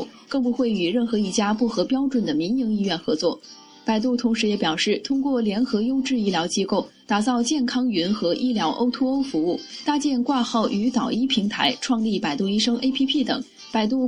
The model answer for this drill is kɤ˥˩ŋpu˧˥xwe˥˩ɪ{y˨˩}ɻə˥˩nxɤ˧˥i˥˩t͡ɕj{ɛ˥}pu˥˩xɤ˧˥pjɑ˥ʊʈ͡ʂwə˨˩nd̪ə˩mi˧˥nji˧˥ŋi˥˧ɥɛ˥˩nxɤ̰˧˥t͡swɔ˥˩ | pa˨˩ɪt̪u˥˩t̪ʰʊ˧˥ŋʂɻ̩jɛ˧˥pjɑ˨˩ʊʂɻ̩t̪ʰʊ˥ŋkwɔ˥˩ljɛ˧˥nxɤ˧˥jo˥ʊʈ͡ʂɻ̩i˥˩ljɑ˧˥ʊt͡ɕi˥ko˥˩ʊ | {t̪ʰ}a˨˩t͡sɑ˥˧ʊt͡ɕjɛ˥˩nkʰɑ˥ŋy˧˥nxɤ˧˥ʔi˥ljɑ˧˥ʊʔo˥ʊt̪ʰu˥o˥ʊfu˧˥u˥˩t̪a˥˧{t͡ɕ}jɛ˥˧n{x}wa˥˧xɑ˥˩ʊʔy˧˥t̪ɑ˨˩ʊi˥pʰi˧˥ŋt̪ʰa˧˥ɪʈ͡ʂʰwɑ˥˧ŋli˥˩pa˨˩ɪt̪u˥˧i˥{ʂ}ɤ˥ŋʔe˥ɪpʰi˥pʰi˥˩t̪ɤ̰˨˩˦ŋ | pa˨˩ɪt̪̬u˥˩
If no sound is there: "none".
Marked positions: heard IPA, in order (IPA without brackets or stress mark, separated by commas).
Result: y˨˩, a˥, t̪, t͡ɕ, k, ʂ